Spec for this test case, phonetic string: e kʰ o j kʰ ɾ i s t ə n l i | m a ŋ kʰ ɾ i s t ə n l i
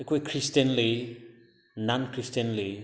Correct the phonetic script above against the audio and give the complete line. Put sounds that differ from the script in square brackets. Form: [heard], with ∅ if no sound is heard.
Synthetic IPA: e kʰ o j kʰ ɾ i s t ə n l i | [n] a [n] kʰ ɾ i s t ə n l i